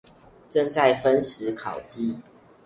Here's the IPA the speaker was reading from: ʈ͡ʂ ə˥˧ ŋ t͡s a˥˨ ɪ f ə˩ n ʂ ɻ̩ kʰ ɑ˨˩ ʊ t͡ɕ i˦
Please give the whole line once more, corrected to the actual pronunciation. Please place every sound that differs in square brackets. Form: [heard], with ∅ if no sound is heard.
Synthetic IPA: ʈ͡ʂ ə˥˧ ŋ t͡s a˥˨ ɪ f [ə˦] n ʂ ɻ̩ kʰ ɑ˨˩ ʊ t͡ɕ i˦